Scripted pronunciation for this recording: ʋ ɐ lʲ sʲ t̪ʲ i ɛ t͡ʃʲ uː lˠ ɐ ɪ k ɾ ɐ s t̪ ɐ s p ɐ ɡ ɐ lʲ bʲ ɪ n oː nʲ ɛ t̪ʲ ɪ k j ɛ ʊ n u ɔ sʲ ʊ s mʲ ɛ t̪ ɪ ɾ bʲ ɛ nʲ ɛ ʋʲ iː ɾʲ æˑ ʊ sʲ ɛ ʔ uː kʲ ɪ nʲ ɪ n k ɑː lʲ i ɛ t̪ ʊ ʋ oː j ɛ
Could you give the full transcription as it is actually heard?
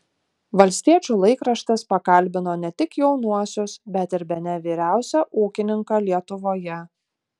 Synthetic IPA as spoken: ʋ ɐ lʲ sʲ t̪ʲ i ɛ t͡ʃʲ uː lˠ ɐ ɪ k ɾ ɐ ʃ t̪ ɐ s p ɐ k ɐ lʲ bʲ ɪ n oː nʲ ɛ t̪ʲ ɪ k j ɛ ʊ n u ɔ sʲ ʊ s bʲ ɛ t̪ ɪ ɾ bʲ ɛ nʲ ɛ ʋʲ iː ɾʲ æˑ ʊ sʲ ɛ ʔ uː kʲ ɪ nʲ ɪ ŋ k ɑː lʲ i ɛ t̪ ʊ ʋ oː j ɛ